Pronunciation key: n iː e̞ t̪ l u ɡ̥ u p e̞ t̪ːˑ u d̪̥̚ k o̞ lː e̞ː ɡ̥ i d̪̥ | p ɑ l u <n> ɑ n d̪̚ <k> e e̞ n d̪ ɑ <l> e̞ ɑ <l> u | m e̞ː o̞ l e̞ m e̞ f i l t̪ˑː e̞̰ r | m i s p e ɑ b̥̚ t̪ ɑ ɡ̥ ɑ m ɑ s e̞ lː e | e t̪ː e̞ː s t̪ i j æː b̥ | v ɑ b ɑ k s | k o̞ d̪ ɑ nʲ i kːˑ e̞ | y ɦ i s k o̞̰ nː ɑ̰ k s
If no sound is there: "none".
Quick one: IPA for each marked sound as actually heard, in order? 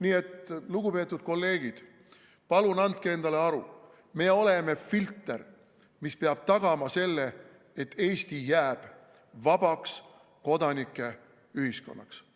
n, k, l, ɾ

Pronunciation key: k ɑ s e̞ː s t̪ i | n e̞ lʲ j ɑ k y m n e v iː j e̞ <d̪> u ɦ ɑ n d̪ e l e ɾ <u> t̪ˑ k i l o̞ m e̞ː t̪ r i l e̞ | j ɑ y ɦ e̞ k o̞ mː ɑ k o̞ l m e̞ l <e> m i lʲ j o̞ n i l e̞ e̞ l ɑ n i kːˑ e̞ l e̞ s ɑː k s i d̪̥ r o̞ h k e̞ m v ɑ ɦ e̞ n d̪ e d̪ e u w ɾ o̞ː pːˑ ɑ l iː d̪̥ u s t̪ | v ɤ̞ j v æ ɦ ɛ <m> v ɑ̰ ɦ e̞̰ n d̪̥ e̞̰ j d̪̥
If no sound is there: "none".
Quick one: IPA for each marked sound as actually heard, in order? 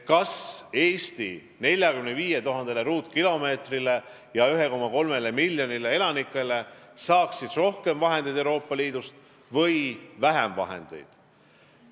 t̪, uː, e, m

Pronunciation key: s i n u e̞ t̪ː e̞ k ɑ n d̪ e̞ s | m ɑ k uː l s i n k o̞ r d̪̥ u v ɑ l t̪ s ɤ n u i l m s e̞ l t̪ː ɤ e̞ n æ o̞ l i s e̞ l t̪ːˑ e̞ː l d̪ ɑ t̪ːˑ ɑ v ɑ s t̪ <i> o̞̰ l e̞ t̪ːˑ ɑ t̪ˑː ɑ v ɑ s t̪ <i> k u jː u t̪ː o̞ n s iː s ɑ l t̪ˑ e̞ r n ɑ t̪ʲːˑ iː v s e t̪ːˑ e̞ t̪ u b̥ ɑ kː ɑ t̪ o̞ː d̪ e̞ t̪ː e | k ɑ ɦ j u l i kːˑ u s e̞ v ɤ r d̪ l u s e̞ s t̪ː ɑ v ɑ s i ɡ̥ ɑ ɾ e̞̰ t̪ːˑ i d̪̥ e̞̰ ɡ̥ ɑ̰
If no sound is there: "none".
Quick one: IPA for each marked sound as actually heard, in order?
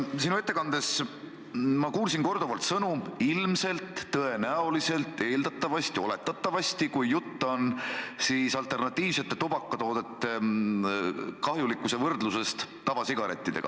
i, i

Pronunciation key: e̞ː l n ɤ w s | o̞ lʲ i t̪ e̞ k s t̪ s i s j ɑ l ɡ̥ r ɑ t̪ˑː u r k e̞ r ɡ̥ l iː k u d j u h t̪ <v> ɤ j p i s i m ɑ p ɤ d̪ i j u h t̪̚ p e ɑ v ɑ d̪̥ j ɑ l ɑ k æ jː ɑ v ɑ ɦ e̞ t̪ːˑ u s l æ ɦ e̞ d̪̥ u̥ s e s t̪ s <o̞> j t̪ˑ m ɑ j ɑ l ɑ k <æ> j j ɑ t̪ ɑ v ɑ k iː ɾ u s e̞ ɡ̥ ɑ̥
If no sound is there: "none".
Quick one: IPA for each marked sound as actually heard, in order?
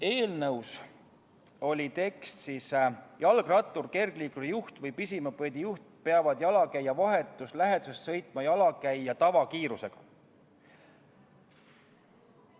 v, ɤ̞, æ

